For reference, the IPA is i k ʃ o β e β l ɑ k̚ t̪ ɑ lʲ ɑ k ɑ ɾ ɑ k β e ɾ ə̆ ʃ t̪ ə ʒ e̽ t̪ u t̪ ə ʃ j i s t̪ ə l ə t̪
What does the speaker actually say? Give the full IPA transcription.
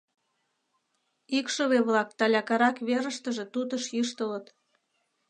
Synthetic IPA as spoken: i k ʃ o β e β l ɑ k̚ t̪ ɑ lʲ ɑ k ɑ ɾ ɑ k β e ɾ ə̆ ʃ t̪ ə ʒ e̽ t̪ u t̪ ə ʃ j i ʃ t̪ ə l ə t̪